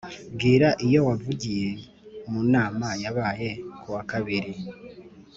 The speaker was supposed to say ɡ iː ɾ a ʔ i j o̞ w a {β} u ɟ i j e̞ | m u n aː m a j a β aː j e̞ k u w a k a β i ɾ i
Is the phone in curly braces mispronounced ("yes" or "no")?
yes